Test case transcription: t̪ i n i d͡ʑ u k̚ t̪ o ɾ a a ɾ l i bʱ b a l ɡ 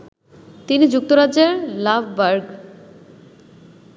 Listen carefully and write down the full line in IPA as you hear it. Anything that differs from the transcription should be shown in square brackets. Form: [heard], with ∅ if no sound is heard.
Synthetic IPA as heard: t̪ i n i d͡ʑ u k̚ t̪ o ɾ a [e] ɾ l [a] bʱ b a [ɾ] ɡ